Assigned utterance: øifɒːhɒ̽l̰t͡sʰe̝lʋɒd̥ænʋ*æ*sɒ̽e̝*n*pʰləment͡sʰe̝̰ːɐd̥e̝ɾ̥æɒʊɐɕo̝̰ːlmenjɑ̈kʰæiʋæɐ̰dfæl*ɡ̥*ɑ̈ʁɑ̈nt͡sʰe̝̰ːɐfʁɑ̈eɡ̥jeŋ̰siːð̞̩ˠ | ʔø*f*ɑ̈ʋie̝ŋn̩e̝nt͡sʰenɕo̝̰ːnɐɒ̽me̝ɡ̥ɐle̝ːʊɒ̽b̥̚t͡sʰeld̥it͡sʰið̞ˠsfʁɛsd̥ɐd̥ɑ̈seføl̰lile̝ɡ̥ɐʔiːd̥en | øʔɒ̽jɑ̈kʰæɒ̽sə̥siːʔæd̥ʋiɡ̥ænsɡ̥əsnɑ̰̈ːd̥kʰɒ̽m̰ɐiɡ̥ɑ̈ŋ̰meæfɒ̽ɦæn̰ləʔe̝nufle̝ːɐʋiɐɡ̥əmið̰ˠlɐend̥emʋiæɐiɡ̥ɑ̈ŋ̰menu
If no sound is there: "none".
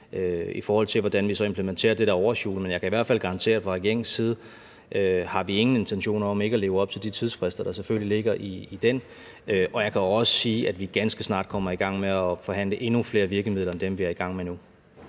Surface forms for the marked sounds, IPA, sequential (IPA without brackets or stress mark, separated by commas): i, m, ɡ̥, h